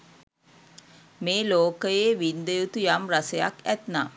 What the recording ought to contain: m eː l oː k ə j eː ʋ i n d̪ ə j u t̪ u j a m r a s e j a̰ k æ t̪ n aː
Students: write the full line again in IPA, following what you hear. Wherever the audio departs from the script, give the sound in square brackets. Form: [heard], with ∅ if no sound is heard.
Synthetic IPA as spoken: m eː l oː k ə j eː ʋ i n d̪ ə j u t̪ u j a m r a s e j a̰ k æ t̪ n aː